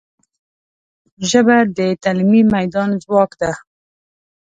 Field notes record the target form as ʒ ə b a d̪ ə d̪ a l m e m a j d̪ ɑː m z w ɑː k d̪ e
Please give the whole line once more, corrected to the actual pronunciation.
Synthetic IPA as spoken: ʒ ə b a d̪ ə t̪ a l m i m a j d̪ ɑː n z w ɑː k d̪ a